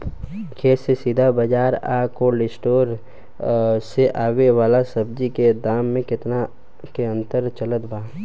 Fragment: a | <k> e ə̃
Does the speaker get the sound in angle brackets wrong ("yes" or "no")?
no